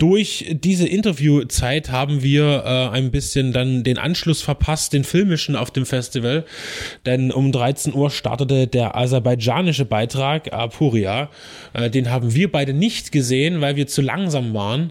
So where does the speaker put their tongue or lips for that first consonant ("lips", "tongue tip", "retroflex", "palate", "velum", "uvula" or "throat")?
tongue tip